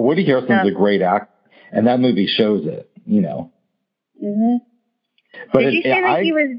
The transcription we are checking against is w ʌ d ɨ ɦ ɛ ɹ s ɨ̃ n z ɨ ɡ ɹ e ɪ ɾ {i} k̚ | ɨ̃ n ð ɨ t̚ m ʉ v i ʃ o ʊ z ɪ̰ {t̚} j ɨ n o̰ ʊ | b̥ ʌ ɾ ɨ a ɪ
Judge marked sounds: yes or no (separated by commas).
no, yes